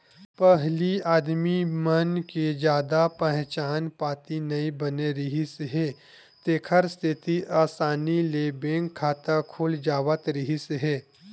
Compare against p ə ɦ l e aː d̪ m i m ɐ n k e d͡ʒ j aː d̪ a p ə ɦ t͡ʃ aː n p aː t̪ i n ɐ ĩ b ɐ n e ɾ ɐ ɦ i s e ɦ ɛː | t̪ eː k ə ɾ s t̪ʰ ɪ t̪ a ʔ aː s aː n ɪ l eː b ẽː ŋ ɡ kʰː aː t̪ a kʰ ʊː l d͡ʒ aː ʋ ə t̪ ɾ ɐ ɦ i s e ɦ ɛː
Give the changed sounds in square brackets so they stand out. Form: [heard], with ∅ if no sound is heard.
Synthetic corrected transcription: p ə ɦ l [i] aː d̪ m i m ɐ n k e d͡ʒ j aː d̪ a p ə ɦ t͡ʃ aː n p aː t̪ i n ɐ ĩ b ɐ n e ɾ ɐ ɦ i s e ɦ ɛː | t̪ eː [kʰ] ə ɾ s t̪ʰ ɪ t̪ [i] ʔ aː s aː n [i] l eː b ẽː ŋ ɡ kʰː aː t̪ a kʰ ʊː l d͡ʒ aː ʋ ə t̪ ɾ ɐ ɦ i s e ɦ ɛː